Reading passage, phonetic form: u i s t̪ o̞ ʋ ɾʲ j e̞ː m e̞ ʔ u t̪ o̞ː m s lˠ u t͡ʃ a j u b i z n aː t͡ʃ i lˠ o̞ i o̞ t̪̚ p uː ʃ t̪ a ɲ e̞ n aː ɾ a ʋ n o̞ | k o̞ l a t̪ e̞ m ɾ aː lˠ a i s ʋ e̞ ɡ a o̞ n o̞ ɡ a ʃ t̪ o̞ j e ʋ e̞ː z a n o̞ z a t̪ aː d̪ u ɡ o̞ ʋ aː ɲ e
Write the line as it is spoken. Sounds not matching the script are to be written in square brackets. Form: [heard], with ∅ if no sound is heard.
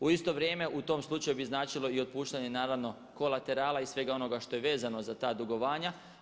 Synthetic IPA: u i s t̪ o̞ ʋ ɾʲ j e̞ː m e̞ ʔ u t̪ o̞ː m s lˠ u t͡ʃ a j u b i z n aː t͡ʃ i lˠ o̞ i o̞ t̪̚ p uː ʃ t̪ a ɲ e̞ n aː ɾ a ʋ n o̞ | k o̞ l a t̪ e̞ [∅] ɾ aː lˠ a i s ʋ e̞ ɡ a o̞ n o̞ ɡ a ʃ t̪ o̞ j e ʋ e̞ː z a n o̞ z a t̪ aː d̪ u ɡ o̞ ʋ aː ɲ [a]